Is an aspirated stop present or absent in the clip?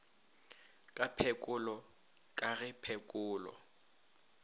present